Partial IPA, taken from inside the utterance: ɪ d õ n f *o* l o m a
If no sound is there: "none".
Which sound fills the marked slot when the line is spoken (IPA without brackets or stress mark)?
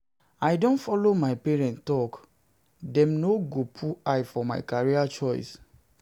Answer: ɔ